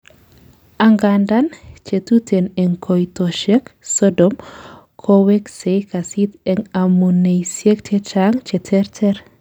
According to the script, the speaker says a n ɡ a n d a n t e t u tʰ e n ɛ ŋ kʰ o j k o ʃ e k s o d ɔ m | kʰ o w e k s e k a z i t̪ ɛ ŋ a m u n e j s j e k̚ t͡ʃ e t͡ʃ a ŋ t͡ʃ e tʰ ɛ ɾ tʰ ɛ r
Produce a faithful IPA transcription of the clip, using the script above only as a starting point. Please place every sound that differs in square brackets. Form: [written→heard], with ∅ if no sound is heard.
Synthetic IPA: a [n→ŋ] ɡ a n d a n [t→t͡ʃ] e t u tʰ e n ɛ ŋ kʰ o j [k→t] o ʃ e k s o d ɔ m | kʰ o w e k s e k a [z→s] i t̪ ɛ ŋ a m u n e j s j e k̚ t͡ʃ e t͡ʃ a ŋ t͡ʃ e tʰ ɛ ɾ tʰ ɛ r